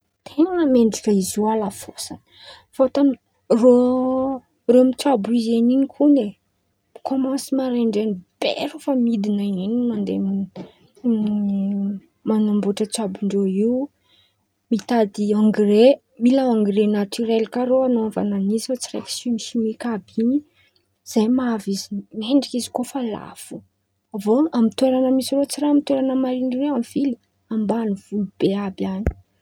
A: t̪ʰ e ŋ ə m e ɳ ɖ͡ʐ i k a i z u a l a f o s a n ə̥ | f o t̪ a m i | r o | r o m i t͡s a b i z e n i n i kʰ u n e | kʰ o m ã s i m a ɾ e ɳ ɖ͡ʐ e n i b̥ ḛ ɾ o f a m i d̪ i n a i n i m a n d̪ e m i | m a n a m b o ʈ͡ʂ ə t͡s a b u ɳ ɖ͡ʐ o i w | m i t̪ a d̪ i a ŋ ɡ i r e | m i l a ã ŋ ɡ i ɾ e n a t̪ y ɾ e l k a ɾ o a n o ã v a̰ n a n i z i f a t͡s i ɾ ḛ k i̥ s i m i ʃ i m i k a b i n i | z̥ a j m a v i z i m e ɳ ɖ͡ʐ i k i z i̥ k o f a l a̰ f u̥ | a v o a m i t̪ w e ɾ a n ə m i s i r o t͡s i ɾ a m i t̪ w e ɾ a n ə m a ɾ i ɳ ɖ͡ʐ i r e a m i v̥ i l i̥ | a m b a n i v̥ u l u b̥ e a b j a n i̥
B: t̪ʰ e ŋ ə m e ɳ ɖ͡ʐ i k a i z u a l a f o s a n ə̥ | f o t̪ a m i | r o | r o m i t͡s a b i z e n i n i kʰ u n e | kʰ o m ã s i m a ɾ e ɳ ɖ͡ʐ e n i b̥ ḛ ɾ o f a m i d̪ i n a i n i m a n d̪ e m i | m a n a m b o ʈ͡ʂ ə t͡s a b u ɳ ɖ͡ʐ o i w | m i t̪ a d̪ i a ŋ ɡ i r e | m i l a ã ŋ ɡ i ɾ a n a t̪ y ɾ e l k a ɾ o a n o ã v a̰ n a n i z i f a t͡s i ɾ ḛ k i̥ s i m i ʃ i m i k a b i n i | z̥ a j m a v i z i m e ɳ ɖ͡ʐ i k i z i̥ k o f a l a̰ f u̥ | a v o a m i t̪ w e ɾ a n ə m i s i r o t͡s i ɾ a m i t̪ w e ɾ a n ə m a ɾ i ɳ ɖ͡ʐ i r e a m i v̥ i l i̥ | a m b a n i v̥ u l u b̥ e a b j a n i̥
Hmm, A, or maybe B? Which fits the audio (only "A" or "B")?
A